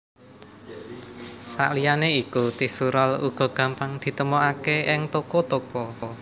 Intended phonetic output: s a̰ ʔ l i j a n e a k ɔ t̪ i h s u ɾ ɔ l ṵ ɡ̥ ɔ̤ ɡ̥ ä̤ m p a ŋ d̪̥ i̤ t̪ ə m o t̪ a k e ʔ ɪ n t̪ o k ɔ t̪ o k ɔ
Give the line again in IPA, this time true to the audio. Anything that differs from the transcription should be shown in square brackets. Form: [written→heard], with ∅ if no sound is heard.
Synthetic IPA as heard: s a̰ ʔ l i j a n e [a→i] k [ɔ→u] t̪ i h s u ɾ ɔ l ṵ ɡ̥ ɔ̤ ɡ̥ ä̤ m p a ŋ d̪̥ i̤ t̪ ə m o [t̪→∅] a k e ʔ ɪ [n→ŋ] t̪ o k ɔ t̪ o k ɔ